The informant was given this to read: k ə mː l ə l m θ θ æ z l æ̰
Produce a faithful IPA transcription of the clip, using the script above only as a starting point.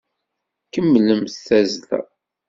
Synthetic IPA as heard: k ə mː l ə m θ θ æ z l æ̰